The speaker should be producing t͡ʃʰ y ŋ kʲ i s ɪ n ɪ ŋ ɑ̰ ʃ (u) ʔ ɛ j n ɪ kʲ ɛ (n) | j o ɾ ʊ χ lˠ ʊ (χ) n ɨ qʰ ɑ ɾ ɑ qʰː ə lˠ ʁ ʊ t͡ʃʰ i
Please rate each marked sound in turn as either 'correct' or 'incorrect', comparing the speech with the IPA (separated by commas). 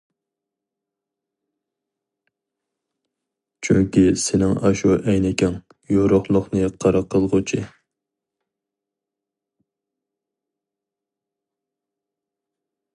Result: correct, incorrect, correct